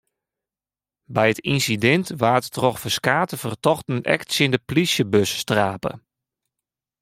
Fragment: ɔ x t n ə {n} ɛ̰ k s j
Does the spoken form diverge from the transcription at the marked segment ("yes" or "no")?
no